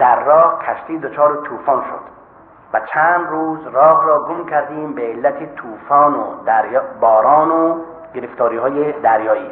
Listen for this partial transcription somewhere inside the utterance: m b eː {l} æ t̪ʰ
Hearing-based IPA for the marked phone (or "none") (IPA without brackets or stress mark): lː